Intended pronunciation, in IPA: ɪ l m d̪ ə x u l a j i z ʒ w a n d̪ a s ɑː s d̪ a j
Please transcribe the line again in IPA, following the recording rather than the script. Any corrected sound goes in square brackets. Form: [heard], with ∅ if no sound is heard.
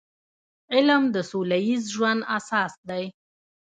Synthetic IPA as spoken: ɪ l m d̪ ə [s] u l a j i z ʒ w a n d̪ a s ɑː s d̪ a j